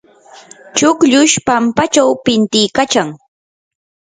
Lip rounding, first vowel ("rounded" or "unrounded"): rounded